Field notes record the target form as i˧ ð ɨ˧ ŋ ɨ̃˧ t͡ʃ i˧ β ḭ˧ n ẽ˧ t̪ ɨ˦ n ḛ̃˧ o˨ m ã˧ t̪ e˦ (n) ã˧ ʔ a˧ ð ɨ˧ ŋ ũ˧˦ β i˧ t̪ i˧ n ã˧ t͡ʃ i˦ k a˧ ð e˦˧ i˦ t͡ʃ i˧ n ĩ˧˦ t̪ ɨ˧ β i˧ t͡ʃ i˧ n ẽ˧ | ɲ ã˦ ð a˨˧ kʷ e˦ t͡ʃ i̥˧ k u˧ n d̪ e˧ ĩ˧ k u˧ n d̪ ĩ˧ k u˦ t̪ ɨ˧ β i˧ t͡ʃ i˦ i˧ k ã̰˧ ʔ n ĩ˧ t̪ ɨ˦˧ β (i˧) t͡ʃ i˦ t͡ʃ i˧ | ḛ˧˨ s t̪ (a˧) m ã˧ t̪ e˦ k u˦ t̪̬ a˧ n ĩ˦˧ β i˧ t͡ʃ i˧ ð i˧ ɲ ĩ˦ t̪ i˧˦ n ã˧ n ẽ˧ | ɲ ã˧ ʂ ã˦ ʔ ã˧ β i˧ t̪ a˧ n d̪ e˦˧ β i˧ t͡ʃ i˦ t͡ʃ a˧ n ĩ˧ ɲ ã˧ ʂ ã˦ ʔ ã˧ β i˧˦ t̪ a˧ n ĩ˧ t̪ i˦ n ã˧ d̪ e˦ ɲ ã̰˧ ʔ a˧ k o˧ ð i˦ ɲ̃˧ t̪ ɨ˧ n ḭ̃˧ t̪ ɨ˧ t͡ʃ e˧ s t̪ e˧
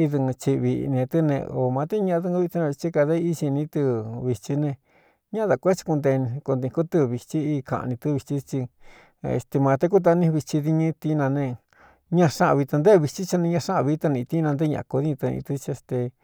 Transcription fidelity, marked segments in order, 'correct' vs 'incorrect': incorrect: ɲ, correct, incorrect: e˧

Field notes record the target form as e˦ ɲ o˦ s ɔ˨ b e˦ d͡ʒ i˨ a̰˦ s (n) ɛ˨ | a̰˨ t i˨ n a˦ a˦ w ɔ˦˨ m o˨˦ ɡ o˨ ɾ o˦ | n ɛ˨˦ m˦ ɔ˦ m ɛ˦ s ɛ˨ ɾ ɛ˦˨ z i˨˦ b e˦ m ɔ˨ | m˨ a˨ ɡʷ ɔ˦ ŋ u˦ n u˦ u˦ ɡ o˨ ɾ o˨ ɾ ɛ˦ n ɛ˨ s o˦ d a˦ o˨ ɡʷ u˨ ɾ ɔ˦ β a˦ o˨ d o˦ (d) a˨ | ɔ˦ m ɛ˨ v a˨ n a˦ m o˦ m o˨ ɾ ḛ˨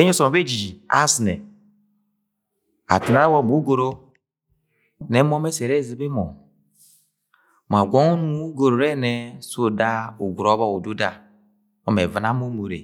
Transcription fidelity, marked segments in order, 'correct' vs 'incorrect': correct, correct

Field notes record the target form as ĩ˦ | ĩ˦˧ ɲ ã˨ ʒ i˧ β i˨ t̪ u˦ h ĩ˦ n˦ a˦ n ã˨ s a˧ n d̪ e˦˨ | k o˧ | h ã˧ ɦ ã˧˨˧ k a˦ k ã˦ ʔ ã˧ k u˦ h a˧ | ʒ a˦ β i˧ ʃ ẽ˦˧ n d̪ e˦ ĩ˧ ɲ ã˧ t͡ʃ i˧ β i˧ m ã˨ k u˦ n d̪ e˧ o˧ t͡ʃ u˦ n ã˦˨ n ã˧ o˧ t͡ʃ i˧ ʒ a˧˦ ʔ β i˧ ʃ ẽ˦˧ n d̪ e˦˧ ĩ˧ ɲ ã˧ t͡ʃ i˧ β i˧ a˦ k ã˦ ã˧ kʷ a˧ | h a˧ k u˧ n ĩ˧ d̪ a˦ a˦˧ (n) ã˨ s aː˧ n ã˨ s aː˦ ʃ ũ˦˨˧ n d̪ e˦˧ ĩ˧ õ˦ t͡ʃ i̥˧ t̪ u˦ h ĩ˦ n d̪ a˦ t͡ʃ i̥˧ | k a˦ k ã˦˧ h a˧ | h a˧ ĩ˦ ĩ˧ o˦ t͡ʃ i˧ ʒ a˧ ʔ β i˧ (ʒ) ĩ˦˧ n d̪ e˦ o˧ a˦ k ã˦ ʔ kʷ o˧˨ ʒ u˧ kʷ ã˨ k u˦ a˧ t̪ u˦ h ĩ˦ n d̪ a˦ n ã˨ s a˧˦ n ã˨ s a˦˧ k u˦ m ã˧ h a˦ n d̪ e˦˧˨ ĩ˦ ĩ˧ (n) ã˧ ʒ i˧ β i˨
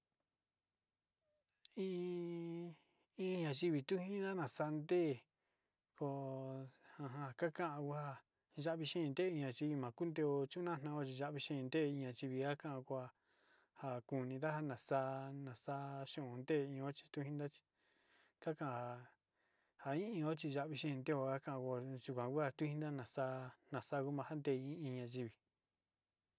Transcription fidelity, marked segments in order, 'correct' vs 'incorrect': correct, incorrect: ʃ, incorrect: ɲ

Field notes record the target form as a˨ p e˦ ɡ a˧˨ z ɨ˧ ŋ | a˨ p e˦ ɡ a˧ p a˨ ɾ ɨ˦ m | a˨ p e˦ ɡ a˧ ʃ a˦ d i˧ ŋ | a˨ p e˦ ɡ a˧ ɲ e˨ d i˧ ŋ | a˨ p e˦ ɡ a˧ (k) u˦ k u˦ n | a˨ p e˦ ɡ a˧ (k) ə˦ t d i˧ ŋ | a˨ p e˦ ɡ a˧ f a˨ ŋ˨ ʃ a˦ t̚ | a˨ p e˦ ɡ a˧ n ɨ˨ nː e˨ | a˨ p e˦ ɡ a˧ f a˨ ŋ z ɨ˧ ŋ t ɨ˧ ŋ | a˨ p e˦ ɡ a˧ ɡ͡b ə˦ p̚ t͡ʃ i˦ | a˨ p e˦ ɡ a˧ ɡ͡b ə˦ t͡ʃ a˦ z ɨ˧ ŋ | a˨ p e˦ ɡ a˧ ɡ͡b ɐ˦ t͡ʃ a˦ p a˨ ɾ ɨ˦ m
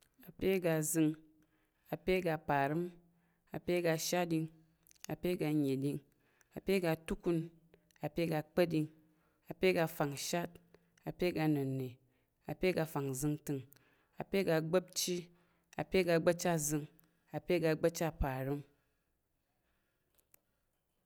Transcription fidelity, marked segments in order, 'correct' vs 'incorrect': incorrect: t, incorrect: k͡p

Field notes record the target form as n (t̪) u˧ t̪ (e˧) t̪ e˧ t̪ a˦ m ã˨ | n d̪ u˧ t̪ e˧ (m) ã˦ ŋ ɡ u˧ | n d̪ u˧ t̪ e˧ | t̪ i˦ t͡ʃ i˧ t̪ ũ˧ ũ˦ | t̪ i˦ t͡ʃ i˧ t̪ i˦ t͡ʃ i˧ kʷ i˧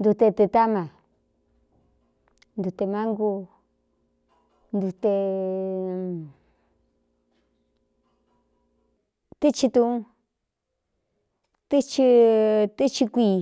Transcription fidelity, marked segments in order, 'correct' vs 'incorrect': incorrect: d̪, correct, correct

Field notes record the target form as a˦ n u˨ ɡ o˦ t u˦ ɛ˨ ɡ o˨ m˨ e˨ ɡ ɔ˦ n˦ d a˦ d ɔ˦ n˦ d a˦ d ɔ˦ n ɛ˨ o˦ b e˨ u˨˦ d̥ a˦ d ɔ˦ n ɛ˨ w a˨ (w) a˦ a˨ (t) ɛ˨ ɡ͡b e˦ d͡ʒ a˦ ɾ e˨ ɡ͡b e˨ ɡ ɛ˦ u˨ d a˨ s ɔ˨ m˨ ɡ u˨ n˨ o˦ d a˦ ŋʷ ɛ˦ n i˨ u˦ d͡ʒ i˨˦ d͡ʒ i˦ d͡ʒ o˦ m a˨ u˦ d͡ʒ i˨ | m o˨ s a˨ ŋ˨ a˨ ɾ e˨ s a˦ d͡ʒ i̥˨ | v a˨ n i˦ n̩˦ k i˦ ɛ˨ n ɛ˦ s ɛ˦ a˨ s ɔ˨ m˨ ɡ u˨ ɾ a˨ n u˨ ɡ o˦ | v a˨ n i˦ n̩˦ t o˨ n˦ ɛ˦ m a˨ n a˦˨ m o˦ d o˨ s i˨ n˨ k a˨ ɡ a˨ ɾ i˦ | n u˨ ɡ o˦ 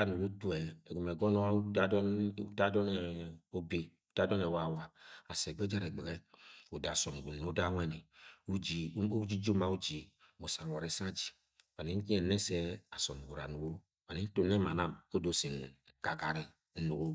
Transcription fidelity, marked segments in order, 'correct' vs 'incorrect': correct, incorrect: s

